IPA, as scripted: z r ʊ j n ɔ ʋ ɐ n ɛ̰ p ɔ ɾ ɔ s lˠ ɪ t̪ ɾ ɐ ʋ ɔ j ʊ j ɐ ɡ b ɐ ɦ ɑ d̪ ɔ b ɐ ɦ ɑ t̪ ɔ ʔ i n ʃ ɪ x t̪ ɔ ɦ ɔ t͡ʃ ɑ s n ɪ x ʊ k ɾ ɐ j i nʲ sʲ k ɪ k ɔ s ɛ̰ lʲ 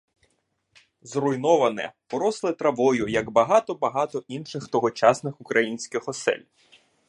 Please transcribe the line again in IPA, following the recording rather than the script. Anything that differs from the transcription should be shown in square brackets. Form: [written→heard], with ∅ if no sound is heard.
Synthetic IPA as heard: z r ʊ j n ɔ ʋ ɐ n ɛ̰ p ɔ ɾ ɔ s lˠ ɪ t̪ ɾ ɐ ʋ ɔ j ʊ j ɐ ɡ b ɐ ɦ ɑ [d̪→t̪] ɔ b ɐ ɦ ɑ t̪ ɔ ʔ i n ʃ ɪ x t̪ ɔ ɦ ɔ t͡ʃ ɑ s n ɪ x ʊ k ɾ ɐ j i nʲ sʲ k ɪ [k→x] ɔ s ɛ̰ lʲ